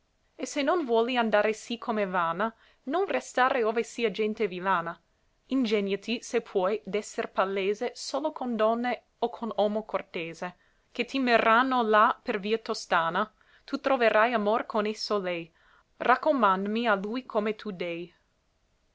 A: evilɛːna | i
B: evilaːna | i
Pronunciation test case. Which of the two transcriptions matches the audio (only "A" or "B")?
B